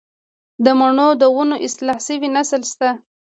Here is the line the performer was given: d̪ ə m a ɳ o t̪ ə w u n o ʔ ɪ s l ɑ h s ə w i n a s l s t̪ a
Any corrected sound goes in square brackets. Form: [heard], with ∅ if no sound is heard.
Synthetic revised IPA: d̪ ə m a ɳ o [d̪] ə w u n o ʔ ɪ s l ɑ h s ə w i n a s l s t̪ a